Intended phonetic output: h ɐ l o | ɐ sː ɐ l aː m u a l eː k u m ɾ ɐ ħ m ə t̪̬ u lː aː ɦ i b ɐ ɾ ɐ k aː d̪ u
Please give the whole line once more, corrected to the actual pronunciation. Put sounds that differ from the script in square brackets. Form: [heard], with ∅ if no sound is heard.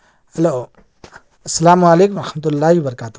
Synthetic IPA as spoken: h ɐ l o | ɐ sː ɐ l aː m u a l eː k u m ɾ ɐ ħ m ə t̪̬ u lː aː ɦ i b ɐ ɾ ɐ k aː [t̪] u